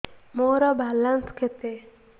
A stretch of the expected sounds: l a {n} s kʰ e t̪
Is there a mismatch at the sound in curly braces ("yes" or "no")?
no